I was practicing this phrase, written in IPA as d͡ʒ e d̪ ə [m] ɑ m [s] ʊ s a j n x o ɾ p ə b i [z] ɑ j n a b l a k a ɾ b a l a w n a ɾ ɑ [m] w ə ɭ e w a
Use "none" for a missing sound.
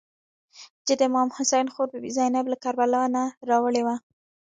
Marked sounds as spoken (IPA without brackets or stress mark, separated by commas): m, h, z, none